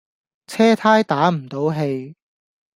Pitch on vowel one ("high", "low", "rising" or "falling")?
high